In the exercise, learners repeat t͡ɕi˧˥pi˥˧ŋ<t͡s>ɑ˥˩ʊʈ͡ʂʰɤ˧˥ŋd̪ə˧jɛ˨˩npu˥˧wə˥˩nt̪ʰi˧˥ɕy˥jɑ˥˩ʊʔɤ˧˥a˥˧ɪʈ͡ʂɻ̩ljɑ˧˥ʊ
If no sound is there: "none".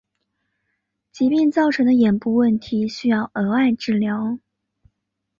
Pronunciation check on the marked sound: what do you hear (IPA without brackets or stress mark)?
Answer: t͡s